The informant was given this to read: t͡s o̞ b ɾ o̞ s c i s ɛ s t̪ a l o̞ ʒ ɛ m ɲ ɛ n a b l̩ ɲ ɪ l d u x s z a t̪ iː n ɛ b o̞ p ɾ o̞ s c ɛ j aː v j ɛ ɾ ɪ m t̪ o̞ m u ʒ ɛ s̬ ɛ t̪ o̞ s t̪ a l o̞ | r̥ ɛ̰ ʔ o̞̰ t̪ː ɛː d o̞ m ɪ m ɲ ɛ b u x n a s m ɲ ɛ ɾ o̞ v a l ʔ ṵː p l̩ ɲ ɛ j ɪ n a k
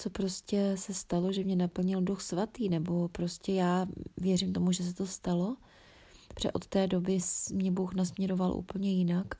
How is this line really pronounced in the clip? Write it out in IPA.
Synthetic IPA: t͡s o̞ p ɾ o̞ s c ɛ s ɛ s t̪ a l o̞ ʒ ɛ m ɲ ɛ n a p l̩ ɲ ɪ l d u x s v a t̪ iː n ɛ b o̞ p ɾ o̞ s c ɛ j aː v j ɛ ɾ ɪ m t̪ o̞ m u ʒ ɛ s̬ ɛ t̪ o̞ s t̪ a l o̞ | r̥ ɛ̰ ʔ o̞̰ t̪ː ɛː d o̞ b ɪ m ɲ ɛ b u x n a s m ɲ ɛ ɾ o̞ v a l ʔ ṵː p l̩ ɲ ɛ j ɪ n a k